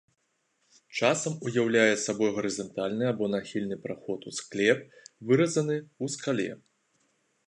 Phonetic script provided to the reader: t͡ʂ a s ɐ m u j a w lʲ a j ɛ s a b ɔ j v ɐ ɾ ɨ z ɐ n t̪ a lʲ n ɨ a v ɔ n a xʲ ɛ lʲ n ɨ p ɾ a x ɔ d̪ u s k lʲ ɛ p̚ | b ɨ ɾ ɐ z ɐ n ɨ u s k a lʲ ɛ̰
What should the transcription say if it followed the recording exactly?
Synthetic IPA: t͡ʂ a s ɐ m u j a w lʲ a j ɛ s a b ɔ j ɣ ɐ ɾ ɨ z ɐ n t̪ a lʲ n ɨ a b ɔ n a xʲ i lʲ n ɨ p ɾ a x ɔ t̪ u s k lʲ ɛ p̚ | v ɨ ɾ ɐ z ɐ n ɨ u s k a lʲ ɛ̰